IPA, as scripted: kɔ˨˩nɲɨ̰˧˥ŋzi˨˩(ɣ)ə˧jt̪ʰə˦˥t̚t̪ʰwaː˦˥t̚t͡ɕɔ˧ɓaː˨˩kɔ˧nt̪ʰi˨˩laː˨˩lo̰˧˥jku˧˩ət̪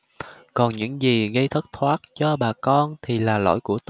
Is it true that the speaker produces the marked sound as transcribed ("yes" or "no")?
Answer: yes